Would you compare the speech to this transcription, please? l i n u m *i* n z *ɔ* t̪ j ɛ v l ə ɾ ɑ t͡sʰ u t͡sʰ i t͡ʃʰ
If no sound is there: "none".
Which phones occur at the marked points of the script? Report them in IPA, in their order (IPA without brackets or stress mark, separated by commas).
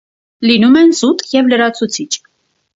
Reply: ɛ, u